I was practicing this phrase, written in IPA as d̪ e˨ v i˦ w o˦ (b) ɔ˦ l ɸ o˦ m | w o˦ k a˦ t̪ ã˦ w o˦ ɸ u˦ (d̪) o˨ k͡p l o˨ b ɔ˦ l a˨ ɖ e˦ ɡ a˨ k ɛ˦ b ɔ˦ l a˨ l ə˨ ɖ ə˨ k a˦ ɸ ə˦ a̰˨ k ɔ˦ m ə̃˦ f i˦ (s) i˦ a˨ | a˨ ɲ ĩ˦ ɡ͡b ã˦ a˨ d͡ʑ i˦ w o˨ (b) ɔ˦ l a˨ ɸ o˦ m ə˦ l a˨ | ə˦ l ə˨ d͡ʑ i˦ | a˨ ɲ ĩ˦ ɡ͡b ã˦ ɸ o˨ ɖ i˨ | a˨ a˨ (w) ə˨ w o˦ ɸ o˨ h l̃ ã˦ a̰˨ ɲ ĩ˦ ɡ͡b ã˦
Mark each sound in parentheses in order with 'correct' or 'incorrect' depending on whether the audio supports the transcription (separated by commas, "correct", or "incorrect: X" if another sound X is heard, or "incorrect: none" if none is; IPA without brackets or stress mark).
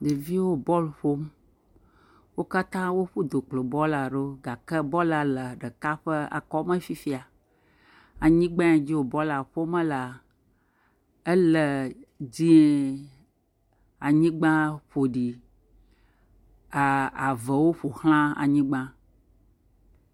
correct, correct, incorrect: f, correct, incorrect: v